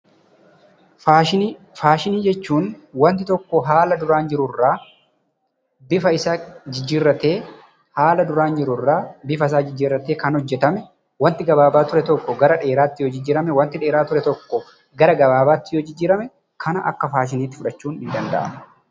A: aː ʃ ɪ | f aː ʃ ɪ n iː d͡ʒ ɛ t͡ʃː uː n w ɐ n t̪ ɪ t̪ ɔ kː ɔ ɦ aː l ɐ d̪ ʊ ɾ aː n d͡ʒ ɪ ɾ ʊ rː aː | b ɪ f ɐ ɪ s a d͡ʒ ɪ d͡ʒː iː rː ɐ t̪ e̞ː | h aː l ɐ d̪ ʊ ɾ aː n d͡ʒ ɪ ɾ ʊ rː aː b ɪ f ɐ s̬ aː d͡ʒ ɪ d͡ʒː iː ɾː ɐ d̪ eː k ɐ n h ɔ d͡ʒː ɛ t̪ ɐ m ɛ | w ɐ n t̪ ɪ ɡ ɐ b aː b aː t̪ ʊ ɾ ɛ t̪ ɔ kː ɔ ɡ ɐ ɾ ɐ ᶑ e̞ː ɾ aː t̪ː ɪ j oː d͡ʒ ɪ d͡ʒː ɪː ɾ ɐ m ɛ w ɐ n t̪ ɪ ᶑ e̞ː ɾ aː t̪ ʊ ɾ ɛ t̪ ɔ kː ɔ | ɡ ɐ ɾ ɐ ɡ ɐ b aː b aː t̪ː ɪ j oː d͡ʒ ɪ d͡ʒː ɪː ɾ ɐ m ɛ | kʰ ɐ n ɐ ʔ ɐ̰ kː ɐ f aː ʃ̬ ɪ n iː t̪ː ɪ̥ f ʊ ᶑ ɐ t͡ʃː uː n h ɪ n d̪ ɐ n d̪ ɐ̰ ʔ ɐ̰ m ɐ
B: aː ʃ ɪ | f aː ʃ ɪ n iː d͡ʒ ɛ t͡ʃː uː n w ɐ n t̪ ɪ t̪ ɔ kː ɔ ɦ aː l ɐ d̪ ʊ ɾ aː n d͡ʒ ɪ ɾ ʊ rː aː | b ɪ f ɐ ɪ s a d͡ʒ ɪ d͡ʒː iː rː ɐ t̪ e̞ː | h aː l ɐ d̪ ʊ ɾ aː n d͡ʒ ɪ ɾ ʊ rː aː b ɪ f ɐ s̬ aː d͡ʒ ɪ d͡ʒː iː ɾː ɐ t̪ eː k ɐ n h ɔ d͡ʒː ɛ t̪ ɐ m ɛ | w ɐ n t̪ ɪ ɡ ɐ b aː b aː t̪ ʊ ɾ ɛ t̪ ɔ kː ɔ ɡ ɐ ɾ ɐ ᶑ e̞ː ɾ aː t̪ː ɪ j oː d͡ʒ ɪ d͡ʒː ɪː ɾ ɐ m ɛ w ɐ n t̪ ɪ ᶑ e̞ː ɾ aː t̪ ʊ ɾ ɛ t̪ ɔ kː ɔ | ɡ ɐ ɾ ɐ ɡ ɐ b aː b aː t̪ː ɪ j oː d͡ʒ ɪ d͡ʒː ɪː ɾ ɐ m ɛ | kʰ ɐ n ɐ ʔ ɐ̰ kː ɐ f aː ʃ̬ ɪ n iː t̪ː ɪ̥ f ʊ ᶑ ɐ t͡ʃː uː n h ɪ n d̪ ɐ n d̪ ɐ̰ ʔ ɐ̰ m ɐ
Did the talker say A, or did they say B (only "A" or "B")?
B